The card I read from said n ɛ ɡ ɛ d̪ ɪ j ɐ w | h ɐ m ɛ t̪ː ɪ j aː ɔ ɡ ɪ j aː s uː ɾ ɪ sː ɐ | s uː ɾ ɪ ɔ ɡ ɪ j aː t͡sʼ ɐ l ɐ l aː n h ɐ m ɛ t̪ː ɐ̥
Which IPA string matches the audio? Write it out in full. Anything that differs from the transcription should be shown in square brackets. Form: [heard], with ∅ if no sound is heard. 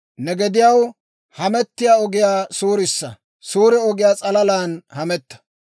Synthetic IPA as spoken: n ɛ ɡ ɛ d̪ ɪ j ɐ w | h ɐ m ɛ t̪ː ɪ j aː ɔ ɡ ɪ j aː s uː ɾ ɪ sː ɐ | s uː ɾ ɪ ɔ ɡ ɪ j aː t͡sʼ ɐ l ɐ l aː n h ɐ m ɛ t̪ː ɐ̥